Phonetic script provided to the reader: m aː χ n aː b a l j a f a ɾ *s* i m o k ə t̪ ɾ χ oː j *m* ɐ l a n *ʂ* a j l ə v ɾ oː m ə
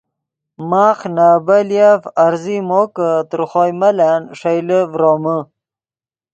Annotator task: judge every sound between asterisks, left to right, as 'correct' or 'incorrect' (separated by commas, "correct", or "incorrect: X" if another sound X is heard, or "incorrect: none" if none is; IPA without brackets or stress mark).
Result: incorrect: z, correct, correct